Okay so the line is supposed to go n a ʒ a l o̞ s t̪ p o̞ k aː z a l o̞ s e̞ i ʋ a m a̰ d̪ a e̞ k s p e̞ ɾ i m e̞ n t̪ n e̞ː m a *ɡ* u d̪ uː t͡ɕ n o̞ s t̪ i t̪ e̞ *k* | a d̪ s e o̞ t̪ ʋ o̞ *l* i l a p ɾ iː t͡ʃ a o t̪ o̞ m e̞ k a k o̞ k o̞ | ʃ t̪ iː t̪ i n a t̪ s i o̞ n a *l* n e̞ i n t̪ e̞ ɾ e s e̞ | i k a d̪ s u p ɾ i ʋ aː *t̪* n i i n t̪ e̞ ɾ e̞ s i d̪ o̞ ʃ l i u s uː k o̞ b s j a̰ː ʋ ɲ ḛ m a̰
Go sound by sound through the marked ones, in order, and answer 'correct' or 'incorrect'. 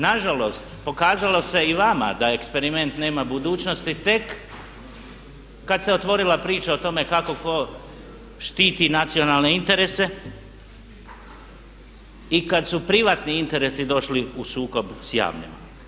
incorrect: b, correct, incorrect: ɾ, correct, correct

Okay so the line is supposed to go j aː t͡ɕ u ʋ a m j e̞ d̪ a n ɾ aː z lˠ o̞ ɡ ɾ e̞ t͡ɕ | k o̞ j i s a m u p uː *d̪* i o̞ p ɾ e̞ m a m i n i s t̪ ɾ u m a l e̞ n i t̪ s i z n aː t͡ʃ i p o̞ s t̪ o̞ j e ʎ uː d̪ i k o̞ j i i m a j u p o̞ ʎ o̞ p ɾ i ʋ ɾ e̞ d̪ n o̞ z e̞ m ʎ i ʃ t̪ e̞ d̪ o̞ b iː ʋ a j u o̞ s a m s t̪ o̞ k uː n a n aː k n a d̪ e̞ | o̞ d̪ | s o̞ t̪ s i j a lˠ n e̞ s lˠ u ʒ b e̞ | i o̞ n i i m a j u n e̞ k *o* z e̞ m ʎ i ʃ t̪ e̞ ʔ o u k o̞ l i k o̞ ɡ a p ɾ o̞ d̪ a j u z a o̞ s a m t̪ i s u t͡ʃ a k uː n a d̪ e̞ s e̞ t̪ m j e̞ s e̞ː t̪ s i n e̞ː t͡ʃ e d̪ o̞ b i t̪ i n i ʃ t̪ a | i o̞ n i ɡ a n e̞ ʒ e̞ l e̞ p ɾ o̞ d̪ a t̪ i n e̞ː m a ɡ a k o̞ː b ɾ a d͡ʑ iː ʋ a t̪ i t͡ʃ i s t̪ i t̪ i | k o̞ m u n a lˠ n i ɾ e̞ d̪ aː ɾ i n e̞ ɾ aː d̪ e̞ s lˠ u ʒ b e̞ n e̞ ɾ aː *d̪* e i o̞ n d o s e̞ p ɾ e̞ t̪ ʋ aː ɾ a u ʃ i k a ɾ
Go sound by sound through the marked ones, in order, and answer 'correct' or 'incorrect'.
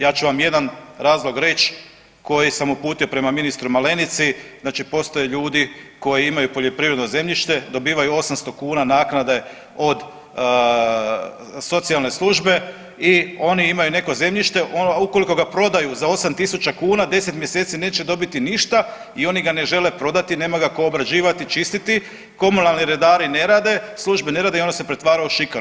incorrect: t̪, correct, correct

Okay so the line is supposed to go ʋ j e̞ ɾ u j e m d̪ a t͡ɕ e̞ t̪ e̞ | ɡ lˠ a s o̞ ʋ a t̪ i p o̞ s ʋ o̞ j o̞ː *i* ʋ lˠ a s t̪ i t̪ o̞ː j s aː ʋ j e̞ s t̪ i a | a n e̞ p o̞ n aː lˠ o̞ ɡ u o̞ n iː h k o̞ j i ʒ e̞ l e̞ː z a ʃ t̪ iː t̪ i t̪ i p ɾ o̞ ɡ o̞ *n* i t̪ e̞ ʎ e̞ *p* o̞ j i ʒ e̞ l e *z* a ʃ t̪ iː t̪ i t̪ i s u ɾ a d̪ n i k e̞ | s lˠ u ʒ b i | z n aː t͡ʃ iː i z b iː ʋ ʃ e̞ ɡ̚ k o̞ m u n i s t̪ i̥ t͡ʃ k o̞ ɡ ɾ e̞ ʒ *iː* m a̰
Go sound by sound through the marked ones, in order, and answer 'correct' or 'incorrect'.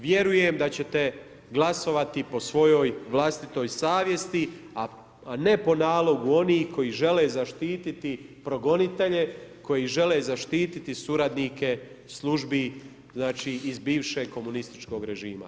incorrect: j, correct, incorrect: k, correct, correct

